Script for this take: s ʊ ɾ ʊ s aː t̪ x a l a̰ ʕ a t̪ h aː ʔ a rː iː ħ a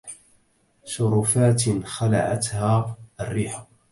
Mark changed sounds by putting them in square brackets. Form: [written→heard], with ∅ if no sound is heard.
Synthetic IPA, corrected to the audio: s ʊ ɾ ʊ [s→f] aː t̪ x a l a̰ ʕ a t̪ h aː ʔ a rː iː ħ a